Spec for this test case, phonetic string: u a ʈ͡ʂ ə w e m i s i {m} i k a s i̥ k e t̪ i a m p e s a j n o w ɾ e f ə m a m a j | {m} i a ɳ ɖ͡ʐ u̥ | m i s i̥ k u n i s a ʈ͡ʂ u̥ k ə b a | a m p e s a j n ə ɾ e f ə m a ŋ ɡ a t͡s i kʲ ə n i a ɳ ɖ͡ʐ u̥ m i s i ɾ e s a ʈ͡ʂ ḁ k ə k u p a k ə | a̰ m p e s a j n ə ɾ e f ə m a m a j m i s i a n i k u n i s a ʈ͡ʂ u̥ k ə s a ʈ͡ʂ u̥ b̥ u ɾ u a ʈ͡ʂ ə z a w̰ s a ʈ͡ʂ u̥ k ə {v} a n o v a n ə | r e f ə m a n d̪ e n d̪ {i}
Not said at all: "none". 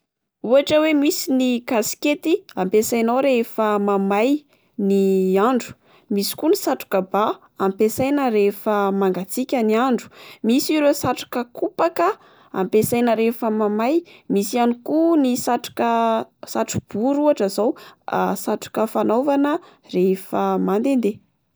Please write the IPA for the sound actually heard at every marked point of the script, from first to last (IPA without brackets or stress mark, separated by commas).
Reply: n, n, f, e